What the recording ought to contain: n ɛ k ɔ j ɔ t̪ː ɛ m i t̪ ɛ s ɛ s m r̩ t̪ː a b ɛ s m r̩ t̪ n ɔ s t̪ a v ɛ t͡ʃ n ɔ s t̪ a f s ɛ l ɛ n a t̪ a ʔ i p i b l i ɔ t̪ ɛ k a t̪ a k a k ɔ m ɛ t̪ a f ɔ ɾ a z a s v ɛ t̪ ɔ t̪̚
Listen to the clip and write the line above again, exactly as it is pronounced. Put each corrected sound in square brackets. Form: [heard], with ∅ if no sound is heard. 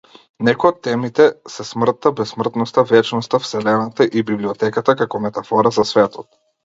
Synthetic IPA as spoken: n ɛ k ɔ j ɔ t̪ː ɛ m i t̪ ɛ s ɛ s m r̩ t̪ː a b ɛ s m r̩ t̪ n ɔ s t̪ a v ɛ t͡ʃ n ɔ s t̪ a f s ɛ l ɛ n a t̪ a ʔ i [b] i b l i ɔ t̪ ɛ k a t̪ a k a k ɔ m ɛ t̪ a f ɔ ɾ a z a s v ɛ t̪ ɔ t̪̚